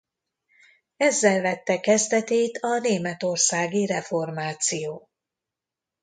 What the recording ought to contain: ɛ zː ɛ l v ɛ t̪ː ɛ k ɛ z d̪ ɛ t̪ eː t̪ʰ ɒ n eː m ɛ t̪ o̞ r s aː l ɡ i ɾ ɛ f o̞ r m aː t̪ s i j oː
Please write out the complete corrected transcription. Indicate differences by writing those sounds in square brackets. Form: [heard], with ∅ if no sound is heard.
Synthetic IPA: ɛ zː ɛ l v ɛ t̪ː ɛ k ɛ z d̪ ɛ t̪ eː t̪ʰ ɒ n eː m ɛ t̪ o̞ r s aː [∅] ɡ i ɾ ɛ f o̞ r m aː t̪ s i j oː